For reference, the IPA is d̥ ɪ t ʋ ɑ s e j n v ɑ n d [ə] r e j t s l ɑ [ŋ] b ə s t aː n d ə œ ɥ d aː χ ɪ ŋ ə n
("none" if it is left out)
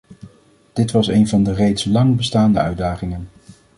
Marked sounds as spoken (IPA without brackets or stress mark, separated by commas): ə, ŋ